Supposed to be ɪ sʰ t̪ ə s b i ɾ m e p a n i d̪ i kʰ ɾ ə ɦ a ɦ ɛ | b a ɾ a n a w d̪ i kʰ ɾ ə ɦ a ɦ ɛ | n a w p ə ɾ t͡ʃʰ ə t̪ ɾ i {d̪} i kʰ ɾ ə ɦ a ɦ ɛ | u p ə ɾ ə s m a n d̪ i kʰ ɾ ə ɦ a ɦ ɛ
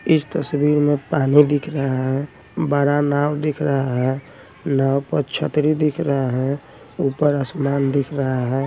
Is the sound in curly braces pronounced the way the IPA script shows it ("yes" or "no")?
yes